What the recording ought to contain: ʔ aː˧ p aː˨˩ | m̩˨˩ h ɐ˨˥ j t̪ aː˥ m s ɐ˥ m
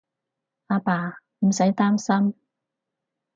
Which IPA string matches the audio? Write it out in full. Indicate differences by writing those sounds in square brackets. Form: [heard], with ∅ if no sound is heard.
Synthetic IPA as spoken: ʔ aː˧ p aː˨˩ | m̩˨˩ [s] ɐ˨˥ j t̪ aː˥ m s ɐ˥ m